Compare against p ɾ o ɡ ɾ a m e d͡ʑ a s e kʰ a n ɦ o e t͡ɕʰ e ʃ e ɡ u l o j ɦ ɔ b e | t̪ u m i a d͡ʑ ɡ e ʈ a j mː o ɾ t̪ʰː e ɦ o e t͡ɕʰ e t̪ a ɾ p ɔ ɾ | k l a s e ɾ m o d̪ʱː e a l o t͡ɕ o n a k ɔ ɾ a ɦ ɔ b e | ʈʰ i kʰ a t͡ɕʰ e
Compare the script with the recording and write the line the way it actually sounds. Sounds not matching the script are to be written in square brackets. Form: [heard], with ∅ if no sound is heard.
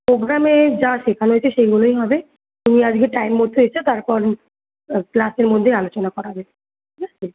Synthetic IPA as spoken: p ɾ o ɡ ɾ a m e d͡ʑ a [ʃ] e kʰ a n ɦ o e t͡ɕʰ e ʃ e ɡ u l o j ɦ ɔ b e | t̪ u m i a d͡ʑ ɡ e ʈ a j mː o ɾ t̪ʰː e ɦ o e t͡ɕʰ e t̪ a ɾ p ɔ ɾ | k l a s e ɾ m o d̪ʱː e a l o t͡ɕ o n a k ɔ ɾ a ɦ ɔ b e | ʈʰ i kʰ a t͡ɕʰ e